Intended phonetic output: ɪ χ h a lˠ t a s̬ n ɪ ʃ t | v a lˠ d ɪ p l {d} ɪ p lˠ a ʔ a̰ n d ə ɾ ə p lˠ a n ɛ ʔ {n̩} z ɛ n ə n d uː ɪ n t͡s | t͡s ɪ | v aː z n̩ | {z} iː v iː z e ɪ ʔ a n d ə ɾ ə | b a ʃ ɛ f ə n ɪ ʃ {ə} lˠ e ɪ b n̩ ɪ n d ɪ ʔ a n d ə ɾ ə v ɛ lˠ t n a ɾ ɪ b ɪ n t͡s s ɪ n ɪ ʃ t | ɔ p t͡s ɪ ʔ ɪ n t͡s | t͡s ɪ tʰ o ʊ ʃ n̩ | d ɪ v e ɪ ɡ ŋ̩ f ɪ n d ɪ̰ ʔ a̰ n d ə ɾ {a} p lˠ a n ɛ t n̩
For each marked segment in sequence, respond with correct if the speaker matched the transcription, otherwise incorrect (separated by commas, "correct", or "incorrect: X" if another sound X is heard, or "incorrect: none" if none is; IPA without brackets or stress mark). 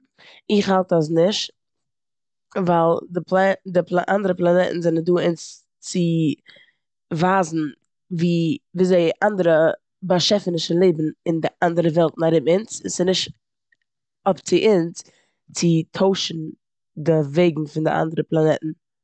correct, correct, incorrect: v, correct, incorrect: ə